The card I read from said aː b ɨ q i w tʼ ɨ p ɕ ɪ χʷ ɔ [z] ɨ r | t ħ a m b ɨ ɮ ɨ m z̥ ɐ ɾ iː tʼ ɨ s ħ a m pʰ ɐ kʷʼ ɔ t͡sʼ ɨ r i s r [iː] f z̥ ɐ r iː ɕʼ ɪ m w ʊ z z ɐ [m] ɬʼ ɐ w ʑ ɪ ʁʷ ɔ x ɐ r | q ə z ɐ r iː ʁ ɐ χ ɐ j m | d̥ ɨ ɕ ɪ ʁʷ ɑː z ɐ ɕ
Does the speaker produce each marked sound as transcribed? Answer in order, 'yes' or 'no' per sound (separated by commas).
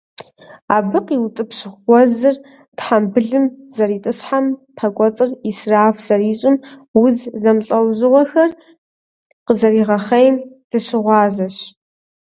yes, no, yes